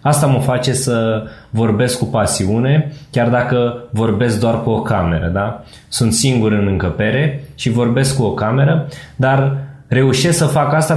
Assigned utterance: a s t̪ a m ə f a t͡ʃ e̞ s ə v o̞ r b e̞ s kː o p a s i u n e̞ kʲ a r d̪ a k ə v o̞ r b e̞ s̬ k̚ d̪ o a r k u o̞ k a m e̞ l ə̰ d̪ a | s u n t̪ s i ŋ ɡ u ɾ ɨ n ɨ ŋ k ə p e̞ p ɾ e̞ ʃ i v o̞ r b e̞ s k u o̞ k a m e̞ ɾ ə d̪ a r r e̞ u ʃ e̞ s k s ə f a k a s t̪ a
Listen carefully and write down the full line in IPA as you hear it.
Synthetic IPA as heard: a s t̪ a m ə f a t͡ʃ e̞ s ə v o̞ r b e̞ s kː u p a s i u n e̞ kʲ a r d̪ a k ə v o̞ r b e̞ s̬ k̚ d̪ o a r k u o̞ k a m e̞ ɾ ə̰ d̪ a | s u n t̪ s i ŋ ɡ u ɾ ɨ n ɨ ŋ k ə p e̞ ɾ e̞ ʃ i v o̞ r b e̞ s k u o̞ k a m e̞ ɾ ə d̪ a r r e̞ u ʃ e̞ s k s ə f a k a s t̪ a